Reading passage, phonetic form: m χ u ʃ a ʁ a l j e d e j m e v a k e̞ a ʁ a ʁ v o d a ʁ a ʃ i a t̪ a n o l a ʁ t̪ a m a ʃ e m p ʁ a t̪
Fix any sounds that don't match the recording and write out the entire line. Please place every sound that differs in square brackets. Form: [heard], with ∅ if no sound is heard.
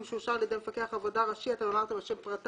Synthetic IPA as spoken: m [ʃ] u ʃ a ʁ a l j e d e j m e [f] a k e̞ a [χ] a [∅] v o d a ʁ a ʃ i a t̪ a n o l a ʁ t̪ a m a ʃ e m p ʁ a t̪